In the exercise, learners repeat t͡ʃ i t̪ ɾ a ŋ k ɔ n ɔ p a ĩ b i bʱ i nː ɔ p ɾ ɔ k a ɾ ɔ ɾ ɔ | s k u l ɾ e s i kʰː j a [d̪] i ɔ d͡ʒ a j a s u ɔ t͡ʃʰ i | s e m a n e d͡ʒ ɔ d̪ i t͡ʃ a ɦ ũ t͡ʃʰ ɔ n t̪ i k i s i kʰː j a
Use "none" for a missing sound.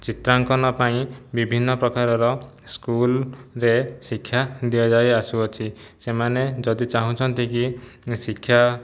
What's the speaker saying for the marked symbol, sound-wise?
d̪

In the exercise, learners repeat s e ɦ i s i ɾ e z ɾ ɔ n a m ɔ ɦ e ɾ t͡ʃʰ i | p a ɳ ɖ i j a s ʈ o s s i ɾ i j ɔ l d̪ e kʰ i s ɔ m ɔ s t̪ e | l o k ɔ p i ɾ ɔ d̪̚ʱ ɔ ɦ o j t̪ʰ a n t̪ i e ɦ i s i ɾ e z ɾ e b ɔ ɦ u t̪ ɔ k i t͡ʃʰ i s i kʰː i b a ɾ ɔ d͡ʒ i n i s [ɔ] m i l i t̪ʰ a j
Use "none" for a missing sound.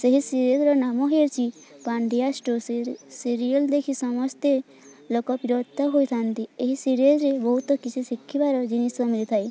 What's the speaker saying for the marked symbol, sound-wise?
ɔ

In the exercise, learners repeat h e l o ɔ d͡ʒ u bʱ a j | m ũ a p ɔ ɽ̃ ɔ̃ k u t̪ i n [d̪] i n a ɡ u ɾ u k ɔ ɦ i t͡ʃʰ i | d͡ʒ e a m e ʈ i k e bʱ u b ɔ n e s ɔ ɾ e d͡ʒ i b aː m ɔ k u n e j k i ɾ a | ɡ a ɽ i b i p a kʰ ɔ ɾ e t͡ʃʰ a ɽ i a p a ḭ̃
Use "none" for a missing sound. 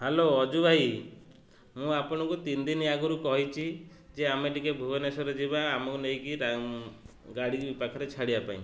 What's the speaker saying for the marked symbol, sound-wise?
d̪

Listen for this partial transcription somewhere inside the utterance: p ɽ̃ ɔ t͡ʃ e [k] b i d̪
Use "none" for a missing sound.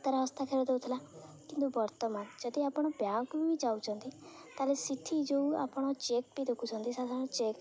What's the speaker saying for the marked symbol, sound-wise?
k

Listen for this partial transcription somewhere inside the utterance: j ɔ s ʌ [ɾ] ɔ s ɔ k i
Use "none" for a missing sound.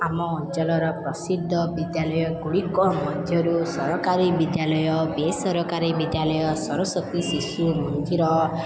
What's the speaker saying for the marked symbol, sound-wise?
ɾ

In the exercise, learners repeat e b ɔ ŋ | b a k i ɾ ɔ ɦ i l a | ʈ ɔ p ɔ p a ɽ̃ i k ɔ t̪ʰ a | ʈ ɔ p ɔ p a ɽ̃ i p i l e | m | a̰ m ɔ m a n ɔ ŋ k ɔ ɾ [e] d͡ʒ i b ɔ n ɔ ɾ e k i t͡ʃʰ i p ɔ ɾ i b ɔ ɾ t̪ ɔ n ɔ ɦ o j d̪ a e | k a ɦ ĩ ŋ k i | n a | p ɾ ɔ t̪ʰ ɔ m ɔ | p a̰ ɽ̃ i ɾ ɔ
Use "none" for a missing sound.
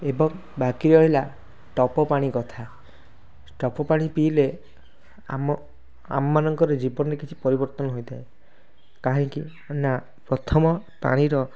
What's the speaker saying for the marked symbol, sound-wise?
e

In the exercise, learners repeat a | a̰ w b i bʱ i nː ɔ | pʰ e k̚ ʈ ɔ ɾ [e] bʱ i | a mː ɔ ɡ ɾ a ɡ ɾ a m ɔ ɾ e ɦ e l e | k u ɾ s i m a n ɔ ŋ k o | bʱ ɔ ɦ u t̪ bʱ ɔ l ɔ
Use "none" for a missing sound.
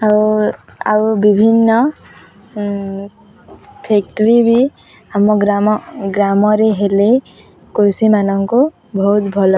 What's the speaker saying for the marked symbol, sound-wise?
i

